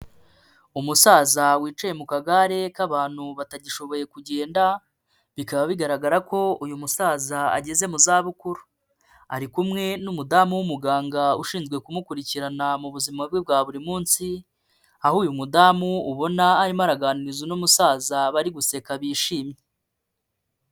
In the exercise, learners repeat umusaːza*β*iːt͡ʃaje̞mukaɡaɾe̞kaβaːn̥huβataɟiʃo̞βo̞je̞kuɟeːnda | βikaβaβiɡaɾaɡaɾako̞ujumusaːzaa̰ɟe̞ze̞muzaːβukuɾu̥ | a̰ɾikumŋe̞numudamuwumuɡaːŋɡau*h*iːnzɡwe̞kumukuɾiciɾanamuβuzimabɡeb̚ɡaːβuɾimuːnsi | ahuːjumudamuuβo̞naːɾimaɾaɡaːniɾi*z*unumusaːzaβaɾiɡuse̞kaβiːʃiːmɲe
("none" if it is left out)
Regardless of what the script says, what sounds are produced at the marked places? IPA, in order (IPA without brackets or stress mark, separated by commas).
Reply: w, ʃ, z